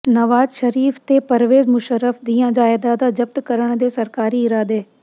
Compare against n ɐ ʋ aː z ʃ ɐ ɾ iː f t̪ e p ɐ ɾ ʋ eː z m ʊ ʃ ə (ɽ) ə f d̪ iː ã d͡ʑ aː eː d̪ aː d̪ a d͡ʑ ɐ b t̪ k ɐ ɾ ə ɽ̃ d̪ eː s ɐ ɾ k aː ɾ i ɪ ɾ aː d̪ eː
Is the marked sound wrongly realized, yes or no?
yes